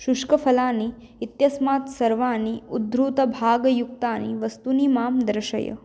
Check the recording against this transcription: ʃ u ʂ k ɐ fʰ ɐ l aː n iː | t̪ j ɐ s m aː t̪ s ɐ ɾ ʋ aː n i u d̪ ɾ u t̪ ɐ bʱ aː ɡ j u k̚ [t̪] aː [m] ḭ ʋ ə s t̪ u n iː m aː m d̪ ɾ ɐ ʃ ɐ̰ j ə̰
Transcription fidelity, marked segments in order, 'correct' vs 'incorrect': correct, incorrect

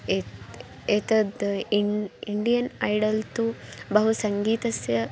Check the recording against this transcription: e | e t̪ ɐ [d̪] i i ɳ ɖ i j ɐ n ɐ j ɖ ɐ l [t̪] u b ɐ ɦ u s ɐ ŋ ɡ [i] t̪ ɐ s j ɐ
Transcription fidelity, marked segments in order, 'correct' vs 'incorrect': correct, correct, incorrect

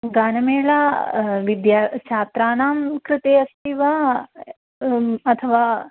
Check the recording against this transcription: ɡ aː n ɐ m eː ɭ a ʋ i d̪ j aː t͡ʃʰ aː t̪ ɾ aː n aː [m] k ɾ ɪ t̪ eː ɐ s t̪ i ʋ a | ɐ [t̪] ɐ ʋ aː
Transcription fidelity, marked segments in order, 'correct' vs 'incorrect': correct, incorrect

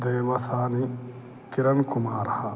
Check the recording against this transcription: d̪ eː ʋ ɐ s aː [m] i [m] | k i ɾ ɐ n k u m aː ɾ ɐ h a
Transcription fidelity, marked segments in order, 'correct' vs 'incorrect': incorrect, incorrect

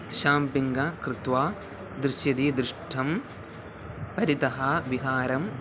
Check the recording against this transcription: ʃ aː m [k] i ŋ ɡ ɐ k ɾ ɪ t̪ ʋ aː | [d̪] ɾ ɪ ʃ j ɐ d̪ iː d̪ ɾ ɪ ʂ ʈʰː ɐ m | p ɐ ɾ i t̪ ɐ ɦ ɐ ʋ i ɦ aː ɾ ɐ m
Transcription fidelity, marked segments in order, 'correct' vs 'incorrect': incorrect, correct

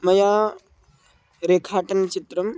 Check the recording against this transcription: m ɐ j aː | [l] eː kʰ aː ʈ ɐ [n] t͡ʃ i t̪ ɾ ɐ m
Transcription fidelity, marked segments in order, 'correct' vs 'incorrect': incorrect, correct

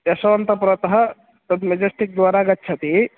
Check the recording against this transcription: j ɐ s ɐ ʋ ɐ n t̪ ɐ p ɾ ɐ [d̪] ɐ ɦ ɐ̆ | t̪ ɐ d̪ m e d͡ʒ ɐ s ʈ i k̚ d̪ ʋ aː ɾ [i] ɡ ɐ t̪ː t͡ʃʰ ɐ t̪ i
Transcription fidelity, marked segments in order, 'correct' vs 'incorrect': incorrect, incorrect

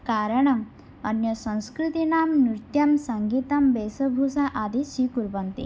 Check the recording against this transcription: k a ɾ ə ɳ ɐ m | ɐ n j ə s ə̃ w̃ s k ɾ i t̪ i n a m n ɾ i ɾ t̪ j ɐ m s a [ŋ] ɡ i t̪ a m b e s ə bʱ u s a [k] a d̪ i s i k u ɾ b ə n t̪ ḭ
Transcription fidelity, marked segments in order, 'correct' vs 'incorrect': correct, incorrect

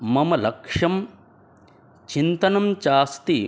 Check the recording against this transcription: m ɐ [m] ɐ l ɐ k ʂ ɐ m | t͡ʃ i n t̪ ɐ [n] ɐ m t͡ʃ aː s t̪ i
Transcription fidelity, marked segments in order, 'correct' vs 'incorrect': correct, correct

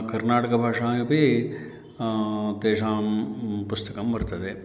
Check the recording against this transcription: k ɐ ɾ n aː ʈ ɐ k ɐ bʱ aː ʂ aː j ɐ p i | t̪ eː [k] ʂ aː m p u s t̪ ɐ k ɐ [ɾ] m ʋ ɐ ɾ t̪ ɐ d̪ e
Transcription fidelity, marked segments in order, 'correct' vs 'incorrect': incorrect, incorrect

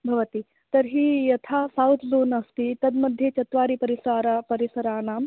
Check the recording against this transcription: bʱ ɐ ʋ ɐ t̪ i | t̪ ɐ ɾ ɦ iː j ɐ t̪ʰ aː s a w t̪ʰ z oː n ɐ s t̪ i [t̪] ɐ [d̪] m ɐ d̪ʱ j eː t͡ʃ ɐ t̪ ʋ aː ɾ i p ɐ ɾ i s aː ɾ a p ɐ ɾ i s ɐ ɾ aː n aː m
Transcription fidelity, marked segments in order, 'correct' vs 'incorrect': correct, correct

